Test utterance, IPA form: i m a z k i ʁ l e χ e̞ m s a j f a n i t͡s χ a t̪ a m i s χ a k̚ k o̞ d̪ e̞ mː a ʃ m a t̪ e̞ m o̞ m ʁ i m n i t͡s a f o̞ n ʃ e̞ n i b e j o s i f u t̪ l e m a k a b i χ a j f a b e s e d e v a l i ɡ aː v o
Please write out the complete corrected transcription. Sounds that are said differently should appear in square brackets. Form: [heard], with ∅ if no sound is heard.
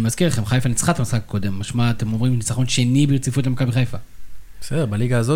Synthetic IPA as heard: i m a z k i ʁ l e χ e̞ m [χ] a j f a n i t͡s χ a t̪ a m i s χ a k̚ k o̞ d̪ e̞ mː a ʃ m a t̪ e̞ m o̞ m ʁ i m n i t͡s a [χ] o̞ n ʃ e̞ n i b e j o [t͡s] i f u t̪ l e m a k a b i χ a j f a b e s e d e [b] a l i ɡ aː [z] o